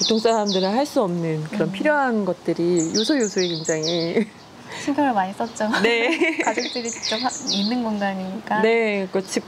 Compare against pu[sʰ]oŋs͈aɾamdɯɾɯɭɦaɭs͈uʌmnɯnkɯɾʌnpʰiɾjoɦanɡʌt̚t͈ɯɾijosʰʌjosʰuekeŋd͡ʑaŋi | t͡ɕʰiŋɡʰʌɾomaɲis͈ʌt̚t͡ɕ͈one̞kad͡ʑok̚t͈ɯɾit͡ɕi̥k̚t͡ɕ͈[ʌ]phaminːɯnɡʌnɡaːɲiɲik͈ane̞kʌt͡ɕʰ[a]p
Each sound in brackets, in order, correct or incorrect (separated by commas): incorrect, correct, incorrect